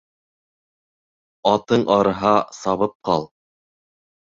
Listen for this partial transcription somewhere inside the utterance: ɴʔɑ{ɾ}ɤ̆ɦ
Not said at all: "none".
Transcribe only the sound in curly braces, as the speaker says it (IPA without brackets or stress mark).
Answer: ɾ